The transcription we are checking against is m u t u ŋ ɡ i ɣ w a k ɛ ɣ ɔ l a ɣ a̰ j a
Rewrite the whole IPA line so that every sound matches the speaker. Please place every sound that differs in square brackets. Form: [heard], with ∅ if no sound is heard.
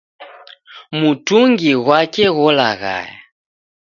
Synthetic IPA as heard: m u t u ŋ ɡ i ɣ w a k ɛ ɣ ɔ l a ɣ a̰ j a